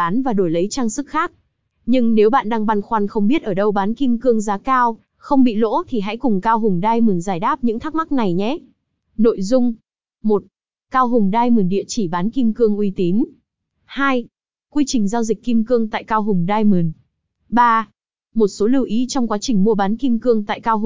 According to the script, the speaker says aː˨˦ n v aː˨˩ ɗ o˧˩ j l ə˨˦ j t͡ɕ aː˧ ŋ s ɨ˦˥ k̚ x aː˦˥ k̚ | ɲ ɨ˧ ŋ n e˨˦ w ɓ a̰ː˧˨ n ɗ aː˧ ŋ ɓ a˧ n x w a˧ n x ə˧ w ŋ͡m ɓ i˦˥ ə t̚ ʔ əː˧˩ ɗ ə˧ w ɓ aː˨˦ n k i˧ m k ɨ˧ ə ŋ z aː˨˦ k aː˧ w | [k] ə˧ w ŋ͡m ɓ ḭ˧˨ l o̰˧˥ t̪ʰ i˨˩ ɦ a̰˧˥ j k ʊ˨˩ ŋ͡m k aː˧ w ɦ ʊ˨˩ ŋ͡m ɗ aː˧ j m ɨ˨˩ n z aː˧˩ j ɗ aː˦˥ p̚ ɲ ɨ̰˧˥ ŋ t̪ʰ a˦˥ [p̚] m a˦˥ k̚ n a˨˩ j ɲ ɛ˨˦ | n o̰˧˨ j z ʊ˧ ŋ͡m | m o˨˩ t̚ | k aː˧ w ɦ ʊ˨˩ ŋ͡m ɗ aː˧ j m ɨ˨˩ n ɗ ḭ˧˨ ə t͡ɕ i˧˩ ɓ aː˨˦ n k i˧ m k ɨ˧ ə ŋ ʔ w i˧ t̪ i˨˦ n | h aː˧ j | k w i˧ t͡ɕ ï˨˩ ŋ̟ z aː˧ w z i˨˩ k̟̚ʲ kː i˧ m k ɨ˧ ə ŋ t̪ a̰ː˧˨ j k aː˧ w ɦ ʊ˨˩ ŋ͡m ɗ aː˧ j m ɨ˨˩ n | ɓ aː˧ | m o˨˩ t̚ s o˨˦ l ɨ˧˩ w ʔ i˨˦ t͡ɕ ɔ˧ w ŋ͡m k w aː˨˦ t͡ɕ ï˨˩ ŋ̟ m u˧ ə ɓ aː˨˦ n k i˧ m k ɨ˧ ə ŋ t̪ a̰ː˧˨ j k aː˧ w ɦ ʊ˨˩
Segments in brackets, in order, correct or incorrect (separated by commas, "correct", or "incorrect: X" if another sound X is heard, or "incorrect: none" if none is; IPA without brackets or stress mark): incorrect: x, incorrect: k̚